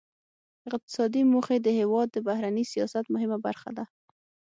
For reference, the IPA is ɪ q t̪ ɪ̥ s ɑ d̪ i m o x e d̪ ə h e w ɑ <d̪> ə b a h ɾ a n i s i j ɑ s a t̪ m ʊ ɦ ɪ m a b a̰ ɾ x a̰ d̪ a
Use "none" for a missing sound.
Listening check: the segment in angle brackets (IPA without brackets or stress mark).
d̪ː